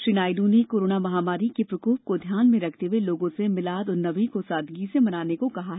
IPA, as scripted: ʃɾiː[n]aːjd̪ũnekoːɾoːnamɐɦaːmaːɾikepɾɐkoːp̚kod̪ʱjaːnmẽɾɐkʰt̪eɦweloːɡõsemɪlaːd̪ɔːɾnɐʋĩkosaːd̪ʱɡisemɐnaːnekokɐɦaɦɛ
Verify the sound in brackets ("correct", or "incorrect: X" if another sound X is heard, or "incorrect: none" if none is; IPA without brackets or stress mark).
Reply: correct